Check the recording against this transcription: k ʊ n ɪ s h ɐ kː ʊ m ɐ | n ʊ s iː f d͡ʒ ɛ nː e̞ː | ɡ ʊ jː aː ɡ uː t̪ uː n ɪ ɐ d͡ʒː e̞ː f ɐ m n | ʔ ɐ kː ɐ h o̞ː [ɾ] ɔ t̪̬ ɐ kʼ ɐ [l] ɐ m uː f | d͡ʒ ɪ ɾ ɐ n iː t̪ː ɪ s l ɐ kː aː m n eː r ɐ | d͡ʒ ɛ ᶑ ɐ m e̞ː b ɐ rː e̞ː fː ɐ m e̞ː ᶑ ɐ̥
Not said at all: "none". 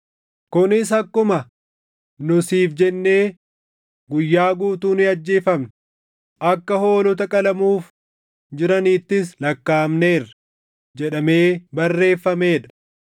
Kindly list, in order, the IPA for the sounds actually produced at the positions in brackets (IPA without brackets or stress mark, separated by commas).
l, l